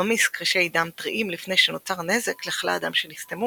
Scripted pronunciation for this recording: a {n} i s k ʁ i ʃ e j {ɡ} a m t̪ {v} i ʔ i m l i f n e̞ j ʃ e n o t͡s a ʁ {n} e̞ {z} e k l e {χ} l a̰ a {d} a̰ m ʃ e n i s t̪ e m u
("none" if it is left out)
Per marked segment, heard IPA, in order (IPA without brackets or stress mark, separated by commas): m, d, ʁ, n, z, χ, d